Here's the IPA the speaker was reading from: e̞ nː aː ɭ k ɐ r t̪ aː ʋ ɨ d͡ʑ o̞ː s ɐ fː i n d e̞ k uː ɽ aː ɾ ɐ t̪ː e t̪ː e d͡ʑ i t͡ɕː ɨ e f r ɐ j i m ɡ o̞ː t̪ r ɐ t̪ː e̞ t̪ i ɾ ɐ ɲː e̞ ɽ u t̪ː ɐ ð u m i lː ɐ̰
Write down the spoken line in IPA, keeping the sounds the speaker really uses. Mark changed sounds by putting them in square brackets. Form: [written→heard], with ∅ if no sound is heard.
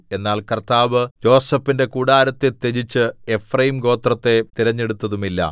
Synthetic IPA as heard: e̞ nː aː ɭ k ɐ r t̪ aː ʋ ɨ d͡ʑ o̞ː s ɐ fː i n d e̞ k uː ɽ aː ɾ ɐ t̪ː e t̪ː e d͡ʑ i t͡ɕː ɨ e f r ɐ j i m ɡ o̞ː t̪ r ɐ t̪ː e̞ t̪ i ɾ ɐ ɲː e̞ ɽ u t̪ː ɐ ð u m i lː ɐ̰